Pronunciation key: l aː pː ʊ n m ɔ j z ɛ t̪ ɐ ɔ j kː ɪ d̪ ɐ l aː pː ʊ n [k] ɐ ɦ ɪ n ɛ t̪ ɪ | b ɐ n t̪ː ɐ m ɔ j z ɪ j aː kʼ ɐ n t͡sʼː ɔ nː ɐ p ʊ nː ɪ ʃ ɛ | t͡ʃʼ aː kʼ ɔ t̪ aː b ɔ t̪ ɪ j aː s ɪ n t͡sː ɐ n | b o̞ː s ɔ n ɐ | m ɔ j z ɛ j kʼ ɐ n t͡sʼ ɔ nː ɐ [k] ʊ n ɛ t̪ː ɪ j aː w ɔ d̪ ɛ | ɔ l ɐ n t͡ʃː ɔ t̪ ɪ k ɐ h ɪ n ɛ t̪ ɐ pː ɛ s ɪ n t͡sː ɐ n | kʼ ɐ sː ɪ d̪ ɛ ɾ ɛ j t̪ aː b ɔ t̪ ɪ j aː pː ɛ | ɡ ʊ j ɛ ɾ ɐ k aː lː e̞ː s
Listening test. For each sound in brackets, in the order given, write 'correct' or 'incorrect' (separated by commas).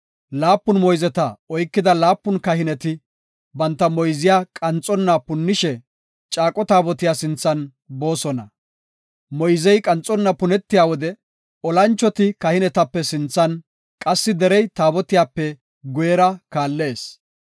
correct, incorrect